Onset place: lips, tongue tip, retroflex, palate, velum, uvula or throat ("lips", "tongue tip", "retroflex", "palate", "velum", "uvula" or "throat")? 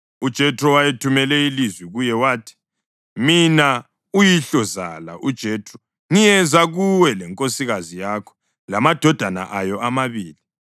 tongue tip